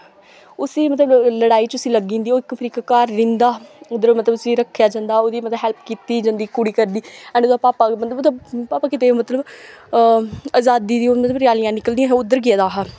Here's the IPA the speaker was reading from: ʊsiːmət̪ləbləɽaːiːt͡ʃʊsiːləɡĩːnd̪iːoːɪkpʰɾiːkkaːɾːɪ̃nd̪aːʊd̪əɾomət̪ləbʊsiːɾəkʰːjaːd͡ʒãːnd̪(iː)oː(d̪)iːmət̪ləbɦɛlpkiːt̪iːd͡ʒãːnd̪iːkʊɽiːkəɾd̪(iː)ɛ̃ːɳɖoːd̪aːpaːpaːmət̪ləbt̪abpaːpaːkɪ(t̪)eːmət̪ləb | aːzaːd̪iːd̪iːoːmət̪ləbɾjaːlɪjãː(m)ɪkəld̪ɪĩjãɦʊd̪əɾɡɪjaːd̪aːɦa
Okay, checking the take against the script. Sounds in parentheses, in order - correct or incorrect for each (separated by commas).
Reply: incorrect, correct, correct, correct, incorrect